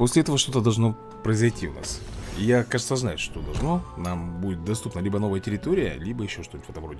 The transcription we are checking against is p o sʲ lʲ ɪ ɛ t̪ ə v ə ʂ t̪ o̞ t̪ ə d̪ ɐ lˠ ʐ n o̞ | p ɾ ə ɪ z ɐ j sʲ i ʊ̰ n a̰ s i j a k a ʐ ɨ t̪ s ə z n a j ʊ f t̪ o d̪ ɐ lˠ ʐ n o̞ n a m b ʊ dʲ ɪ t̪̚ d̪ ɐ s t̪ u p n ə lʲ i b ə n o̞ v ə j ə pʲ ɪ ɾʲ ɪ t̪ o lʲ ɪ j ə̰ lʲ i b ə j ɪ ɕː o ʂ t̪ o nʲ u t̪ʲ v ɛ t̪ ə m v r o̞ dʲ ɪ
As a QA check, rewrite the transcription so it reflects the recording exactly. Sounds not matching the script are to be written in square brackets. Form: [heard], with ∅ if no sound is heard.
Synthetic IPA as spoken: p o sʲ lʲ ɪ ɛ t̪ ə v ə ʂ t̪ o̞ t̪ ə d̪ ɐ lˠ ʐ n o̞ | p ɾ ə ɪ z ɐ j [tʲ] i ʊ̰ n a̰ s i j a k a ʐ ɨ t̪ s ə z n a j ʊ [ʂ] t̪ o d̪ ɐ lˠ ʐ n o̞ n a m b [u] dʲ ɪ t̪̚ d̪ ɐ s t̪ u p n ə lʲ i b ə n o̞ v ə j ə [tʲ] ɪ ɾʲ ɪ t̪ o [ɾʲ] ɪ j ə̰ lʲ i b ə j ɪ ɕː o ʂ t̪ o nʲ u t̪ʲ v ɛ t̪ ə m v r o̞ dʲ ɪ